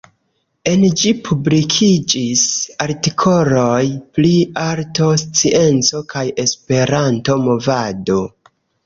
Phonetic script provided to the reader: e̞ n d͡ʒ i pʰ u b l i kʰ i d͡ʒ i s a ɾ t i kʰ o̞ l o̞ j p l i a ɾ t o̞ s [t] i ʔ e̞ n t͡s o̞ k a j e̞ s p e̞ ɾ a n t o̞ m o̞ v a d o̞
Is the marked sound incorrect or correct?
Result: incorrect: t͡s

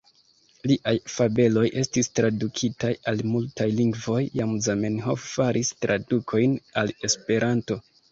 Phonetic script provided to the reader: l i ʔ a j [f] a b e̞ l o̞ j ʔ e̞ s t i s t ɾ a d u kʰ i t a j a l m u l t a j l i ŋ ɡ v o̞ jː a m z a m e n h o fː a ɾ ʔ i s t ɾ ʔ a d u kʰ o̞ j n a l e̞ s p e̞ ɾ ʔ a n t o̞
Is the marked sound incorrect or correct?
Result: correct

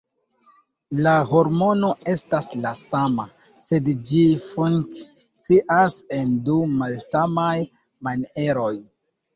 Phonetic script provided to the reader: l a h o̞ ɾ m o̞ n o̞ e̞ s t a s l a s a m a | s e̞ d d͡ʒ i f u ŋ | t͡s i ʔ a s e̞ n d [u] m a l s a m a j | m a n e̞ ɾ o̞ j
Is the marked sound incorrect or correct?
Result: correct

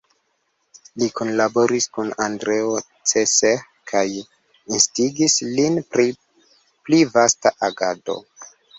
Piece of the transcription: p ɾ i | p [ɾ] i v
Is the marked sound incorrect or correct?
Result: incorrect: l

